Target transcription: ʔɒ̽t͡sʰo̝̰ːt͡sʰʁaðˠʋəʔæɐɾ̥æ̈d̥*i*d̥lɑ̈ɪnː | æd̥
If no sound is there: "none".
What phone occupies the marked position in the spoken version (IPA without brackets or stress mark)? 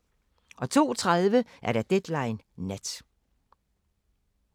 e